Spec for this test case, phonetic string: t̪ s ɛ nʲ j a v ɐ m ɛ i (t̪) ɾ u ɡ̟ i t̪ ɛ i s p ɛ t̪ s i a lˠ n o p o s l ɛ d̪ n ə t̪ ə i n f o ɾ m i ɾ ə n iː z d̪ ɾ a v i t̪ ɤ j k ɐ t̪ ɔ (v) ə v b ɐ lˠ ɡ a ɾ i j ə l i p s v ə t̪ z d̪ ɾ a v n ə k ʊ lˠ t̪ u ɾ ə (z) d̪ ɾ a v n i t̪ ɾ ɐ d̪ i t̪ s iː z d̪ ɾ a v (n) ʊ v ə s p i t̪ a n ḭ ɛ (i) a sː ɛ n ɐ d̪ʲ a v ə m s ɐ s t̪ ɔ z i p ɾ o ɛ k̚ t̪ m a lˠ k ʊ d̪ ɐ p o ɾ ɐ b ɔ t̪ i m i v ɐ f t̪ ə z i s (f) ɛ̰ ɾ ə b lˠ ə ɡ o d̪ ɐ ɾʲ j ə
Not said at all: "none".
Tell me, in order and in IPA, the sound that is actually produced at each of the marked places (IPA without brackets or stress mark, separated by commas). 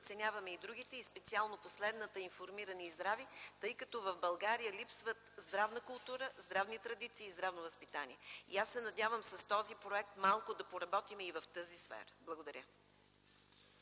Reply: d̪, v, z, n, i, f